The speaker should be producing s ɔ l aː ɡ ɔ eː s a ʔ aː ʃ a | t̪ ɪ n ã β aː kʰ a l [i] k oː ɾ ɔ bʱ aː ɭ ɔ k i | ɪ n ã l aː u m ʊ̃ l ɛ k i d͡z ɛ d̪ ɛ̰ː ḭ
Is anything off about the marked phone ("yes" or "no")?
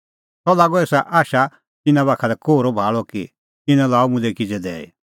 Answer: yes